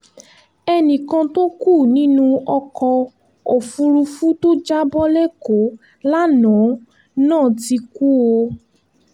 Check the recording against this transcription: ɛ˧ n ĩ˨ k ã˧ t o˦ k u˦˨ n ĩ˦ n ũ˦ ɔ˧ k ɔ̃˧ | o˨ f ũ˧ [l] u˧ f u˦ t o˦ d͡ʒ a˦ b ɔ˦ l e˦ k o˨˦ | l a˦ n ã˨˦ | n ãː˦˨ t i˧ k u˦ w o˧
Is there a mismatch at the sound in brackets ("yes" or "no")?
yes